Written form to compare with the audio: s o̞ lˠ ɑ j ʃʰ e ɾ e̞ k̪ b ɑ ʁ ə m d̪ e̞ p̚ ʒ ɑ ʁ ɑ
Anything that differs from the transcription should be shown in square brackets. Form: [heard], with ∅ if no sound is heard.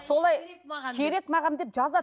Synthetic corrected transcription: s o̞ lˠ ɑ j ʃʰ e ɾ e̞ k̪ [m] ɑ ʁ [ɑ] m d̪ e̞ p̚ ʒ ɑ [z] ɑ